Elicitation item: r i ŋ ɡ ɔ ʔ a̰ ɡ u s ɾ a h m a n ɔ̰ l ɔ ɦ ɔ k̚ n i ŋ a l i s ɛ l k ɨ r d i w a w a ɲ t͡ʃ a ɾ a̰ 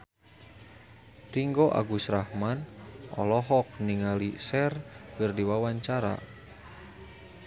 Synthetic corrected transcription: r i ŋ ɡ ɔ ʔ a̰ ɡ u s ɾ a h m a n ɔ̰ l ɔ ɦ ɔ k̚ n i ŋ a l i s ɛ r k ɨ r d i w a w a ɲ t͡ʃ a ɾ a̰